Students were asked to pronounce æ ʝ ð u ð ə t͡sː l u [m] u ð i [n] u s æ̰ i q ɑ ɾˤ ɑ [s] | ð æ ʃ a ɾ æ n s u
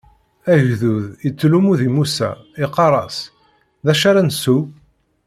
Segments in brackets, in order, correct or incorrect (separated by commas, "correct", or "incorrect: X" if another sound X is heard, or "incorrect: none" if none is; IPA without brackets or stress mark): correct, incorrect: m, correct